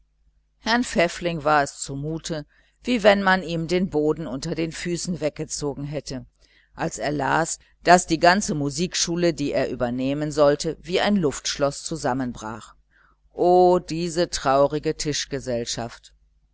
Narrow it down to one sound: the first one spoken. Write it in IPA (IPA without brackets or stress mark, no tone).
h